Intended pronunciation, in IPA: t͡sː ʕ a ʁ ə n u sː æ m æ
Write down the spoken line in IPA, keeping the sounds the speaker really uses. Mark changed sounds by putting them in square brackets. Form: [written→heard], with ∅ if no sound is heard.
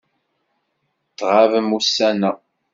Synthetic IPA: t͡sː [ʕ→ʁ] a [ʁ→v] ə [n→m] u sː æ [m→n] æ